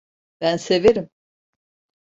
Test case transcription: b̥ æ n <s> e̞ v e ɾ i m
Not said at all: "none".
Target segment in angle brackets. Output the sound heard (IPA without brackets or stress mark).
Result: s